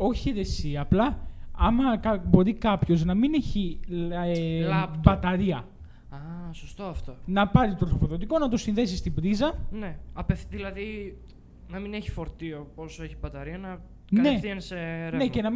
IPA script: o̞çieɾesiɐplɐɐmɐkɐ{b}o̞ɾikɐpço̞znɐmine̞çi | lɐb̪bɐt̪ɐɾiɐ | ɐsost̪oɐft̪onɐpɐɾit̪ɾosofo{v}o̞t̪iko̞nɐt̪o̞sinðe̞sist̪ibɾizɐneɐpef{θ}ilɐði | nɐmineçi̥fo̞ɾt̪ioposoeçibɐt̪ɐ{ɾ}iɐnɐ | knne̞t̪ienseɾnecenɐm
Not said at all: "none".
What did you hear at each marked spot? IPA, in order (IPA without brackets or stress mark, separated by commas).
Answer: b, ð, ð, ɾ